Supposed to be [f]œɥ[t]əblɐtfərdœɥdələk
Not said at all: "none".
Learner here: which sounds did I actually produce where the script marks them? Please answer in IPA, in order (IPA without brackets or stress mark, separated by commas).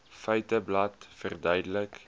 f, t